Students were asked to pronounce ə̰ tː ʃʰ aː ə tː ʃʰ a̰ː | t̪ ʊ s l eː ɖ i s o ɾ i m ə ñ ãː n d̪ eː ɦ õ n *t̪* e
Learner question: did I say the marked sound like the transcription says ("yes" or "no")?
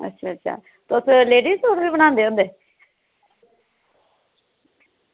no